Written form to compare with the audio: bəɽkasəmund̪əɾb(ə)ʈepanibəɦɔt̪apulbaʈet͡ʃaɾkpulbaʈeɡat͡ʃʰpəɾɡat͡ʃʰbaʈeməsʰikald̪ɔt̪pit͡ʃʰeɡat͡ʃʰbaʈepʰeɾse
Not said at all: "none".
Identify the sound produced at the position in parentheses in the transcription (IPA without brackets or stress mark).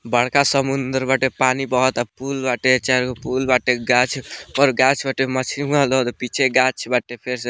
a